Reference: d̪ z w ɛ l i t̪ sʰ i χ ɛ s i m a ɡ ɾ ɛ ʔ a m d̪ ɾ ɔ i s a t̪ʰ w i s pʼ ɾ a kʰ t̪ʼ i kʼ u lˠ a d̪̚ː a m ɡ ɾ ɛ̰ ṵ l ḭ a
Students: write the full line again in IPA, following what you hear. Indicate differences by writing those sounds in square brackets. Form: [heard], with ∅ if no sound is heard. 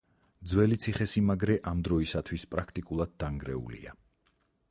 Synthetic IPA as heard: d̪ z w ɛ l i t̪ sʰ i χ ɛ s i m a ɡ ɾ ɛ ʔ a m d̪ ɾ ɔ i s a t̪ʰ w i s pʼ ɾ a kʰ t̪ʼ i kʼ u lˠ a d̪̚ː a [ŋ] ɡ ɾ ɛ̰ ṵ l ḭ a